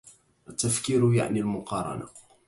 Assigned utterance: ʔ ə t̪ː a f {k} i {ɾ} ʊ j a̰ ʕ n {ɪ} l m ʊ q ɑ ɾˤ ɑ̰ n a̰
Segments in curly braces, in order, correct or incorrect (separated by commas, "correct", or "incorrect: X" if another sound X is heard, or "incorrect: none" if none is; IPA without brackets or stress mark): correct, correct, incorrect: i